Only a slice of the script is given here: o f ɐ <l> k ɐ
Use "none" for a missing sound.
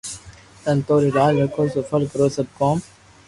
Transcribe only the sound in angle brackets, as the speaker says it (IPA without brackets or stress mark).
l